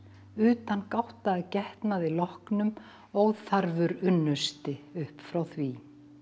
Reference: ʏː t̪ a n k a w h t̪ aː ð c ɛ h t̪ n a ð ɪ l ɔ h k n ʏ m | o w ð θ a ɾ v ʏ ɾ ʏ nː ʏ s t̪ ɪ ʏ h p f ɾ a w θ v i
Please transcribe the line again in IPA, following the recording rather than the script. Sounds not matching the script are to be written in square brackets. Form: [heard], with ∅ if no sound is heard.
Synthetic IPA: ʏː t̪ a n k a w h t̪ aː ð c ɛ h t̪ n a ð ɪ l ɔ h k n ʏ m | o w ð θ a ɾ v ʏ ɾ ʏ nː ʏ s t̪ ɪ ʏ h p f ɾ a w θ v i